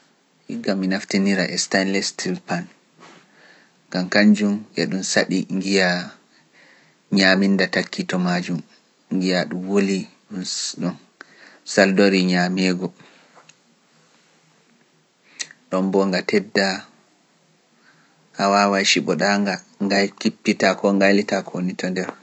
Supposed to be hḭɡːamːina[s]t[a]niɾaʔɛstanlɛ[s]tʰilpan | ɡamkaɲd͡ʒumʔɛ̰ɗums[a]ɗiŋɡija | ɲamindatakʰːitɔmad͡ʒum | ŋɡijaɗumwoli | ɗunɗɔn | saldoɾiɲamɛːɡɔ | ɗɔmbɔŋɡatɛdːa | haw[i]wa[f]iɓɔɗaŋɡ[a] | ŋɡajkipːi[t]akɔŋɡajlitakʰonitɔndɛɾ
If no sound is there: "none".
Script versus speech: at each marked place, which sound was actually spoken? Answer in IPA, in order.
f, i, s, a, a, ʃ, a, t

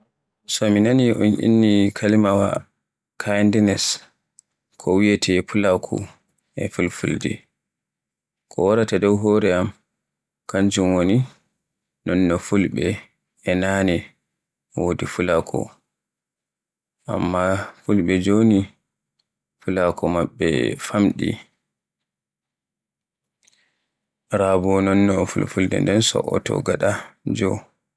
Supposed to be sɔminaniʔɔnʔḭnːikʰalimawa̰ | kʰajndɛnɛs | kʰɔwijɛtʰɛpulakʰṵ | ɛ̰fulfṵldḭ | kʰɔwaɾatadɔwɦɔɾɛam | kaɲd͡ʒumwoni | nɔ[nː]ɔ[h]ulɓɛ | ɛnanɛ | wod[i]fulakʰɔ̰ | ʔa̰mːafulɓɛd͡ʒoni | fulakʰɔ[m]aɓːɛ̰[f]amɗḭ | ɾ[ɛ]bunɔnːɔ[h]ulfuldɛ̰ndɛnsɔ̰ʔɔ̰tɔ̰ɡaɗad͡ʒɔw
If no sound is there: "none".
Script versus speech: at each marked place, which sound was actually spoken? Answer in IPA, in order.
nː, f, i, m, f, a, f

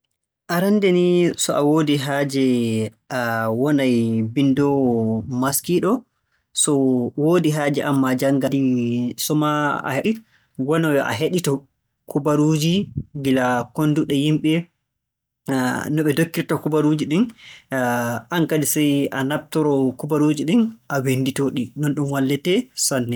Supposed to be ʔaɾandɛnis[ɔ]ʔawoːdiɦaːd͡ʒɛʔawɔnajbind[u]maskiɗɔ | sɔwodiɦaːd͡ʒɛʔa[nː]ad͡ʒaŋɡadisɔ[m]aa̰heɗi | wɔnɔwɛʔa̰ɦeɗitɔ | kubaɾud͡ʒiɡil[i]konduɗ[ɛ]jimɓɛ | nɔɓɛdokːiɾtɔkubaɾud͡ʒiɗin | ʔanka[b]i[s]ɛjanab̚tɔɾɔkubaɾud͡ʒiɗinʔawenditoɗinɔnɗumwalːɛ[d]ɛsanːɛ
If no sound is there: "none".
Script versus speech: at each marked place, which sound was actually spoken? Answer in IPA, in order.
ɔ, ɔ, mː, m, a, ɛ, d, s, t

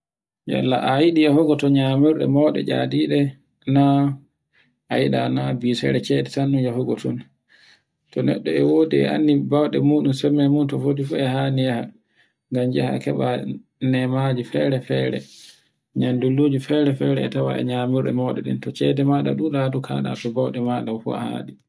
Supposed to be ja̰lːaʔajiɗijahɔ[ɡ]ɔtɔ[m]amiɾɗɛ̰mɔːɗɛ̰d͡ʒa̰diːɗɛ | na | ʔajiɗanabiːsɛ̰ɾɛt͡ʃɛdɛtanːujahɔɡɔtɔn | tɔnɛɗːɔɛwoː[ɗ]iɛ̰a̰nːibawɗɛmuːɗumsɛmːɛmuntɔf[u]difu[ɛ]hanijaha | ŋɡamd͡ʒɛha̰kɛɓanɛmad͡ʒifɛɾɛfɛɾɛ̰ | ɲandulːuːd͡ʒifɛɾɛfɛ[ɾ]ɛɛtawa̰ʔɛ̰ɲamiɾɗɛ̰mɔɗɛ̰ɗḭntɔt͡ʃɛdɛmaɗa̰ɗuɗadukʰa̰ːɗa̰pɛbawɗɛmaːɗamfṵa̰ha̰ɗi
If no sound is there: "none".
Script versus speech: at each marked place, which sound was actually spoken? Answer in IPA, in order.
ɡ, ɲ, d, o, ɛ, ɾ

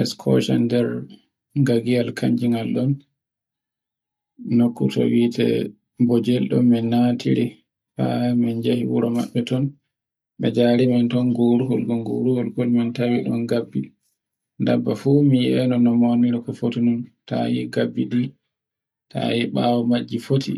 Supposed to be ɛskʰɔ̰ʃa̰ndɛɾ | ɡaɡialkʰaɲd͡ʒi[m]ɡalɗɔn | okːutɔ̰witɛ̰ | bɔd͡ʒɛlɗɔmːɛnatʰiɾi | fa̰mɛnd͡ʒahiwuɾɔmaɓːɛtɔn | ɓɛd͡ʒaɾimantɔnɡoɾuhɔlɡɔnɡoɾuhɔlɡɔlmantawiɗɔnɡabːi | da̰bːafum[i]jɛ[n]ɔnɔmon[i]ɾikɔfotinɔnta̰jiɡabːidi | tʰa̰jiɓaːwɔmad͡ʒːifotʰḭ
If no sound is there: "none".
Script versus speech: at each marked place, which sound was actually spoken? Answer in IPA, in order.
ŋ, i, n, i

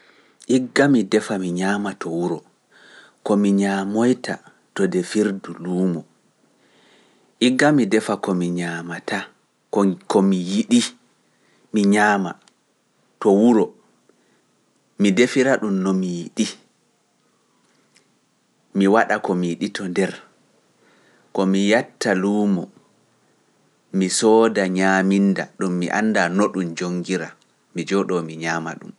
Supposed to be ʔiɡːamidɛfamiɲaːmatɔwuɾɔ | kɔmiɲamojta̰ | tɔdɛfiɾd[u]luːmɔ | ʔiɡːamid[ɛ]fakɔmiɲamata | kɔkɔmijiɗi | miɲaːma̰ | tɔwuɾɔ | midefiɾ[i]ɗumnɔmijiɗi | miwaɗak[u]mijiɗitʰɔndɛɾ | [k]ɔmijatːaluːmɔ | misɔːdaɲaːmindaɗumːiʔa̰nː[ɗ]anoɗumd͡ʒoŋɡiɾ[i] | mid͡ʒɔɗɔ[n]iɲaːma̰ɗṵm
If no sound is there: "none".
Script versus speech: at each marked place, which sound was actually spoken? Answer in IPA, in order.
u, ɛ, a, ɔ, k, d, a, m

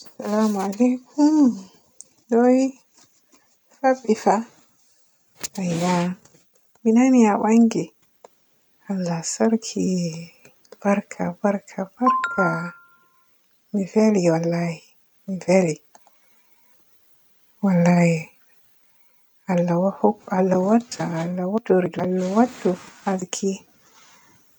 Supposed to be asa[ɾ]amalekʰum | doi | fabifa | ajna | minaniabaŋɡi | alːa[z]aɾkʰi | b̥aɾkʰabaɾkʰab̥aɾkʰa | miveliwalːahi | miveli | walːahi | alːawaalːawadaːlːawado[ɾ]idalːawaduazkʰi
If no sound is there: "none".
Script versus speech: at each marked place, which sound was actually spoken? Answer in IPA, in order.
l, s, ɾ

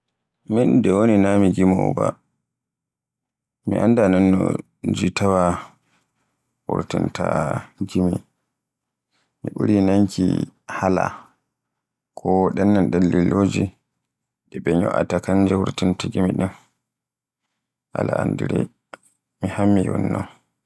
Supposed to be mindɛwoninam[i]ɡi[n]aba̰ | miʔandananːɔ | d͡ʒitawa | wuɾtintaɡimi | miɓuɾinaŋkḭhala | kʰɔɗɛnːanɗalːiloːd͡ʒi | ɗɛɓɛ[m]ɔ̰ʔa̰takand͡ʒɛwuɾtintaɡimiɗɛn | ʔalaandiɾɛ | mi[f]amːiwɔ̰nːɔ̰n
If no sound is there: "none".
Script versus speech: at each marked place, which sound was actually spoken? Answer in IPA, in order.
i, m, ɲ, h

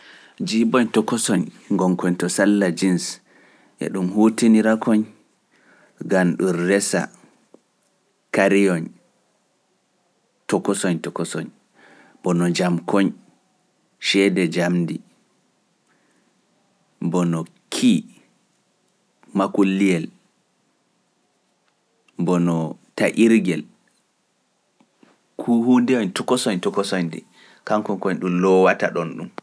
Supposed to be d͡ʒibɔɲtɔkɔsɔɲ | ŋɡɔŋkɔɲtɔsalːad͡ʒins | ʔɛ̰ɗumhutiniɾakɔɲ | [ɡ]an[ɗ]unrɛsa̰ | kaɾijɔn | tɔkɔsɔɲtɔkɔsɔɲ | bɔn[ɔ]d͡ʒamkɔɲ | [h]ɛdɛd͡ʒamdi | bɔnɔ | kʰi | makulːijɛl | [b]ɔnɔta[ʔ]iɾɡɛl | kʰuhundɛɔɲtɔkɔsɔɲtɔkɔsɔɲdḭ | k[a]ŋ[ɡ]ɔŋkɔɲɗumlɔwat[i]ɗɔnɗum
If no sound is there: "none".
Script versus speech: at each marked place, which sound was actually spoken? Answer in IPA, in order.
ɡ, ɗ, ɔ, ʃ, b, ʔ, a, k, a

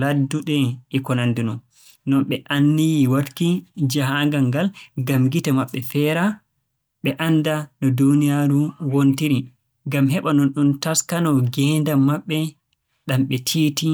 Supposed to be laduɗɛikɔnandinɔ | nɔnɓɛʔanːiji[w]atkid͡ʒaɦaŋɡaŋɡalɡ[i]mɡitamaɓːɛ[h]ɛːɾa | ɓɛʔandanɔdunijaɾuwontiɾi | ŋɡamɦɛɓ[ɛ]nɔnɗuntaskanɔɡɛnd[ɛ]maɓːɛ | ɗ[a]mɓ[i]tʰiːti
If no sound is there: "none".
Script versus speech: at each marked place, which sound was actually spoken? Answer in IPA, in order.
w, a, f, a, a, a, ɛ

